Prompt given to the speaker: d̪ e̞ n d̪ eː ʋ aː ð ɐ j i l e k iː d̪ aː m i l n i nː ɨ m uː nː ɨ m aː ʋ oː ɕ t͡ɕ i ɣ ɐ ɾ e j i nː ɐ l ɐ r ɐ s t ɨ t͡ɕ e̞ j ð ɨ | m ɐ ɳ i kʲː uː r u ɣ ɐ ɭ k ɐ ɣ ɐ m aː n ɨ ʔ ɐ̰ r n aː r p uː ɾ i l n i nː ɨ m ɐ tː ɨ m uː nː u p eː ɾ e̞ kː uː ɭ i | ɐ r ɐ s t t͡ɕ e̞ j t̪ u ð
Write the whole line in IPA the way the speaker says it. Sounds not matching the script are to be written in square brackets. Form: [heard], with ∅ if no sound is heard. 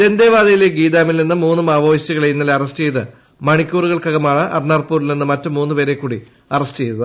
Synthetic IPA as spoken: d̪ e̞ n d̪ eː ʋ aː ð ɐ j i l e [ɡ] iː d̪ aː m i l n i nː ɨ m uː nː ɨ m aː ʋ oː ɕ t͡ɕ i ɣ ɐ [ɭ] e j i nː ɐ l ɐ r ɐ s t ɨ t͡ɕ e̞ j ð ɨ | m ɐ ɳ i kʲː uː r u ɣ ɐ ɭ k ɐ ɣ ɐ m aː [ɳ] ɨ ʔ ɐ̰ r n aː r p uː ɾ i l n i nː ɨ m ɐ tː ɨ m uː nː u p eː ɾ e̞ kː uː [ɽ] i | ɐ r ɐ s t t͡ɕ e̞ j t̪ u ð